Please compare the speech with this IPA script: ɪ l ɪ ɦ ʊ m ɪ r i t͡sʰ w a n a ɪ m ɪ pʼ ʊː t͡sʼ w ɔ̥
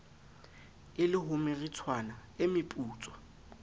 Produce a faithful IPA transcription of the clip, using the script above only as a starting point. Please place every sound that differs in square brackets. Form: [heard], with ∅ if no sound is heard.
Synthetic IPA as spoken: ɪ l ɪ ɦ ʊ m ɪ r i t͡sʰ w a n a ɪ m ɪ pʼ [uː] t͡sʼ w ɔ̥